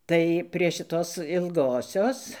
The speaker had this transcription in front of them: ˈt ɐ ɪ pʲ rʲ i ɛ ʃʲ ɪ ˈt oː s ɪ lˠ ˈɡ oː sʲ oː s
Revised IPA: ˈt ɐ ɪ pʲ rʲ i ɛ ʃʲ ɪ ˈt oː s ɪ lˠ ˈɡ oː sʲ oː s

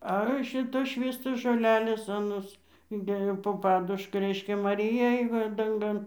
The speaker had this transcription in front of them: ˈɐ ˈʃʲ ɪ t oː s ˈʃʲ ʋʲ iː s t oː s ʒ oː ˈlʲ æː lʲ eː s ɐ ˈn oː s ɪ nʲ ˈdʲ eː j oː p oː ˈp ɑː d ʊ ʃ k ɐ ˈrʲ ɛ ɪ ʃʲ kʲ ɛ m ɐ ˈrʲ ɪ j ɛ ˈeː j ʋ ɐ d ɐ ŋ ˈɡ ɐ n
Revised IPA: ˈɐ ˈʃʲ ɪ t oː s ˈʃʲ ʋʲ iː s t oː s ʒ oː ˈlʲ æː lʲ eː s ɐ ˈn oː s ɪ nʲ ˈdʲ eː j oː p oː ˈp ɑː d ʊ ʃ k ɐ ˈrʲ ɛ ɪ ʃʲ kʲ ɛ m ɐ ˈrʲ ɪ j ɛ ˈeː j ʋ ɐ d ɐ ŋ ˈɡ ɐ n

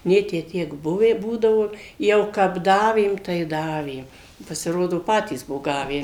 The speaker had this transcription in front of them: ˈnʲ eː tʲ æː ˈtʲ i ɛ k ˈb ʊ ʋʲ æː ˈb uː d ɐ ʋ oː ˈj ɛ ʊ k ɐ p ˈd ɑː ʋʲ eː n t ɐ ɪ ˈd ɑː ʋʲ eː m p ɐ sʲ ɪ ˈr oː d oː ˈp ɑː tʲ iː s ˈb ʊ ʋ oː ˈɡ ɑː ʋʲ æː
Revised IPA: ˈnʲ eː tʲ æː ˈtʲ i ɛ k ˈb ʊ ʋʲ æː ˈb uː d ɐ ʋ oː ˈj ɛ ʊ k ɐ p ˈd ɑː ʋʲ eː m t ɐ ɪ ˈd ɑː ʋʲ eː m p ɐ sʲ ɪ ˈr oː d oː ˈp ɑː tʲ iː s ˈb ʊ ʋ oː ˈɡ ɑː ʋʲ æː

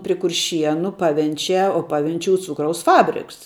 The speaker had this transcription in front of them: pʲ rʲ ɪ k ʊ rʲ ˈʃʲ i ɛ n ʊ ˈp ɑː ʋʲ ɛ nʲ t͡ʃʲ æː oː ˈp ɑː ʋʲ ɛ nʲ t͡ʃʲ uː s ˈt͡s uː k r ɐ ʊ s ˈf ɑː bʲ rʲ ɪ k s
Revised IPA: pʲ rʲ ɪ k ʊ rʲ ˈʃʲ i ɛ n ʊ ˈp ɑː ʋʲ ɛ nʲ t͡ʃʲ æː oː ˈp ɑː ʋʲ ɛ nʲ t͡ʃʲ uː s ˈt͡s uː k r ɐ ʊ s ˈf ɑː bʲ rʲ ɪ k s

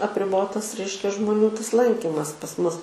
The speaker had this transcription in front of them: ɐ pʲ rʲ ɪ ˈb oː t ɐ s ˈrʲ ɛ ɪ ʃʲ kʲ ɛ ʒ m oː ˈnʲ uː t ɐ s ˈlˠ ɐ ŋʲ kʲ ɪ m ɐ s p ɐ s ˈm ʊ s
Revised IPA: ɐ pʲ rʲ ɪ ˈb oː t ɐ s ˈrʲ ɛ ɪ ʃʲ kʲ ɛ ʒ m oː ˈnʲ uː t ɐ s ˈlˠ ɐ ŋʲ kʲ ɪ m ɐ s p ɐ s ˈm ʊ s

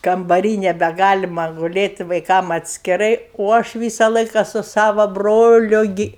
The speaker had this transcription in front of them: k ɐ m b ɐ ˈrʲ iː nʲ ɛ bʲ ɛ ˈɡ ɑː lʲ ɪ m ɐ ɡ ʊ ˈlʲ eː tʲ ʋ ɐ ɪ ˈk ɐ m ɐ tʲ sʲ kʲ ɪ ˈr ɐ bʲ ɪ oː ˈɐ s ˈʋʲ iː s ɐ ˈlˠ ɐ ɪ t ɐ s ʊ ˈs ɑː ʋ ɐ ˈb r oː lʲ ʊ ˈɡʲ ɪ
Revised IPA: k ɐ m b ɐ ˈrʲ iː nʲ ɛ bʲ ɛ ˈɡ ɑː lʲ ɪ m ɐ ɡ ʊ ˈlʲ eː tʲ ʋ ɐ ɪ ˈk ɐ m ɐ tʲ sʲ kʲ ɪ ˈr ɐ ɪ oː ˈɐ ʃ ˈʋʲ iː s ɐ ˈlˠ ɐ ɪ k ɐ s ʊ ˈs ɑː ʋ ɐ ˈb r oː lʲ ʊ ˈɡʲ ɪ

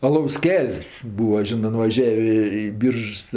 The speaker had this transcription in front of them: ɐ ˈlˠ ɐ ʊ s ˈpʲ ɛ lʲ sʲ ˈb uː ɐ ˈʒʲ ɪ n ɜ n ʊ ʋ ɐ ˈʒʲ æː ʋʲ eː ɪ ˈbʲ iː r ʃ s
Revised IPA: ɐ ˈlˠ ɐ ʊ s ˈkʲ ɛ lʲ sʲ ˈb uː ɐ ˈʒʲ ɪ n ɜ n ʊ ʋ ɐ ˈʒʲ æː ʋʲ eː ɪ ˈbʲ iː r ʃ s

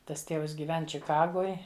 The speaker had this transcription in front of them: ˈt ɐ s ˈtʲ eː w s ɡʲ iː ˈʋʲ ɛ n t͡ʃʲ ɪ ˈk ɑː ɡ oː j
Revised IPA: ˈt ɐ s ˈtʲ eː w s ɡʲ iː ˈʋʲ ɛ n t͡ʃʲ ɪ ˈk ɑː ɡ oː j

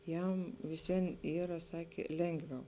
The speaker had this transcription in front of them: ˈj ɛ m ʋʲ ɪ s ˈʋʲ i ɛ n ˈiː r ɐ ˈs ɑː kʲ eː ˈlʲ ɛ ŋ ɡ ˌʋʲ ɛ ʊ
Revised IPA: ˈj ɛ m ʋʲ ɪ s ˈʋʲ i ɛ n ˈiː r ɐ ˈs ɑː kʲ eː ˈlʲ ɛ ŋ ɡ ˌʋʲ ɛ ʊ

